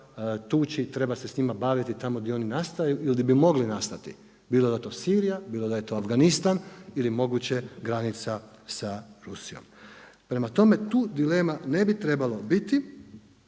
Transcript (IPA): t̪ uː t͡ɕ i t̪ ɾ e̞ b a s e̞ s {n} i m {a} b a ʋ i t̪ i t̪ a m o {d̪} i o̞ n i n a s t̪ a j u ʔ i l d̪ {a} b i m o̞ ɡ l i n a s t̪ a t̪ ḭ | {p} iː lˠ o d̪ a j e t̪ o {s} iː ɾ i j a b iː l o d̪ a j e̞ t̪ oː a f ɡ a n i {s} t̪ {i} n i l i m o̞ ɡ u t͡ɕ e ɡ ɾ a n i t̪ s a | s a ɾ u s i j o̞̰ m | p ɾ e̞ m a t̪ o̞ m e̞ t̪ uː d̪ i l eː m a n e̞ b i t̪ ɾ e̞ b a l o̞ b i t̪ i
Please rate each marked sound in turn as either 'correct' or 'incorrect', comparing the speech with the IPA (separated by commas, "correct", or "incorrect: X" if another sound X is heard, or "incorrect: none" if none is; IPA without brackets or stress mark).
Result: incorrect: ɲ, correct, correct, incorrect: i, incorrect: b, correct, correct, incorrect: a